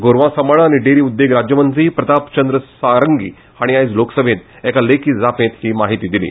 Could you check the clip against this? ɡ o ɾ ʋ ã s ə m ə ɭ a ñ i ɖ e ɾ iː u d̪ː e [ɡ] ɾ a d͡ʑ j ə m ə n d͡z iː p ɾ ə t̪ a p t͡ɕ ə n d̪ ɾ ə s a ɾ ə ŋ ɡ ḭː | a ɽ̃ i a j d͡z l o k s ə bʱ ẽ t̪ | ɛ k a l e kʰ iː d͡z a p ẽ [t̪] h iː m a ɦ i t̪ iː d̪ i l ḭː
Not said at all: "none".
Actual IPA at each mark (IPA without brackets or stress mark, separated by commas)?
ɡ, t̪